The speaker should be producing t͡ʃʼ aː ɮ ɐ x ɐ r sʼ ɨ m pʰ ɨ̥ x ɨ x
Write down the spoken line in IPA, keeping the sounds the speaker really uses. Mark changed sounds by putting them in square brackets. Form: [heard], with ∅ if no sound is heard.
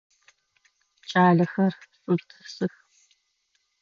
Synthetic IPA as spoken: t͡ʃʼ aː ɮ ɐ x ɐ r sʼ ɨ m [tʰ] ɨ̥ [s] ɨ x